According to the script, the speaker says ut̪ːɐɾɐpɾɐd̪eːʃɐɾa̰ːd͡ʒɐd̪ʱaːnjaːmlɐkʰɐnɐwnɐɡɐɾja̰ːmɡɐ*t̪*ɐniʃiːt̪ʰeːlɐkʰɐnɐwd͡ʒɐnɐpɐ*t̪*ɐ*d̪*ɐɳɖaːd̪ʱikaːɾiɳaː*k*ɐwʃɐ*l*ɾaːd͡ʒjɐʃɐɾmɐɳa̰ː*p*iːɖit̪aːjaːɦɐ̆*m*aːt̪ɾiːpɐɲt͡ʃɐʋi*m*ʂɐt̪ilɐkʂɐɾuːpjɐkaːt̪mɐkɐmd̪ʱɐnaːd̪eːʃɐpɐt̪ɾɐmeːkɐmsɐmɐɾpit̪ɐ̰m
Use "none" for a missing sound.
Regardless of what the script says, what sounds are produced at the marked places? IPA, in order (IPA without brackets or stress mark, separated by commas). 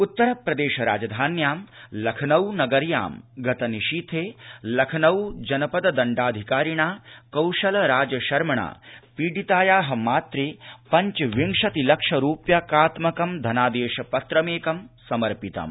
t̪, d̪, d̪, k, l, p, m, ŋ